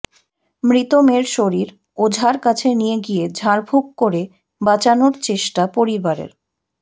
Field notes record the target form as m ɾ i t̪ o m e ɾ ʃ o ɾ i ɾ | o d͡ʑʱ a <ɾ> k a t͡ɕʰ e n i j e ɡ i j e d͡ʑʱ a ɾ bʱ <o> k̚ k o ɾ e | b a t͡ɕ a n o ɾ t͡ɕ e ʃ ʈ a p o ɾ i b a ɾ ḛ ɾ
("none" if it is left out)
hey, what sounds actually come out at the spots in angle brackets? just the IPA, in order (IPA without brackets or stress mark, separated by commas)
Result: ɾ, u